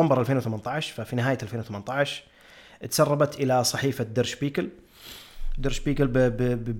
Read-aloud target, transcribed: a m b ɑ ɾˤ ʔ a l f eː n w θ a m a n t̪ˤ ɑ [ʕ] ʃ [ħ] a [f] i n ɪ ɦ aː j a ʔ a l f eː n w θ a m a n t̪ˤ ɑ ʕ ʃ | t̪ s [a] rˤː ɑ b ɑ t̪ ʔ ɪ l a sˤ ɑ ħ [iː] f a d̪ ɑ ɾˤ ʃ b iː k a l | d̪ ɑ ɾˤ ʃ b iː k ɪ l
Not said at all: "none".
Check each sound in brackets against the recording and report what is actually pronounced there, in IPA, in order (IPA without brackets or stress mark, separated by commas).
ʕ, f, f, ɑ, iː